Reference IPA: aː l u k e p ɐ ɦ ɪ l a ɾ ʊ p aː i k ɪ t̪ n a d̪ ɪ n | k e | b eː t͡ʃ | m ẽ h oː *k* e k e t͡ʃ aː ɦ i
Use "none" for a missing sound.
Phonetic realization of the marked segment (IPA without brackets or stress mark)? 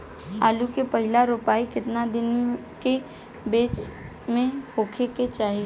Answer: kʰ